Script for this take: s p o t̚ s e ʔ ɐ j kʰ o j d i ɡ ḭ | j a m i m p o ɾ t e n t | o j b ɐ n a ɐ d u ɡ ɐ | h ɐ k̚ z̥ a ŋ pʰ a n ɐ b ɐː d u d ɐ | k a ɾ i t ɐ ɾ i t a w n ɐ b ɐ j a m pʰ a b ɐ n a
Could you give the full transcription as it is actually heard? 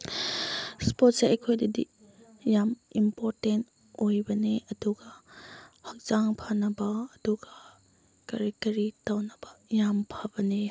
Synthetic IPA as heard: s p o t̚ s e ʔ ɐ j kʰ o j d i d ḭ | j a m i m p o ɾ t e n t | o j b ɐ n e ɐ d u ɡ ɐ | h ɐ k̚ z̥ a ŋ pʰ a n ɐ b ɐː d u ɡ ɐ | k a ɾ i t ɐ ɾ i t a w n ɐ b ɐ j a m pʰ a b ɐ n e